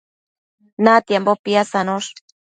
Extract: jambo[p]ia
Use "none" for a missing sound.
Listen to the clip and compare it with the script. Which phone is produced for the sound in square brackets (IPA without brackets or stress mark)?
p